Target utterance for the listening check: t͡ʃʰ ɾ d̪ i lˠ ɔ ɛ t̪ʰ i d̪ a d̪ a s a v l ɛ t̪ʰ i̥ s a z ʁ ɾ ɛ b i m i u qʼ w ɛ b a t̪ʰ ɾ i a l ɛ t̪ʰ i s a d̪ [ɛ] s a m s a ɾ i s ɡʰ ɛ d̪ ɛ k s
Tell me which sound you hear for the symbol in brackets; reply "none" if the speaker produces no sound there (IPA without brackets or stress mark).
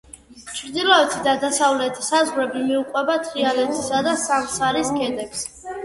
a